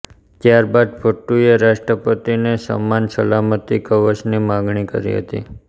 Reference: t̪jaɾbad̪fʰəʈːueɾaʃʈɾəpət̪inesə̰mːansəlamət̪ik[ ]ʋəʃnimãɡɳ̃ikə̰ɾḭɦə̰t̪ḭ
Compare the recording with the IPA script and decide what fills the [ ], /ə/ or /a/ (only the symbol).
ə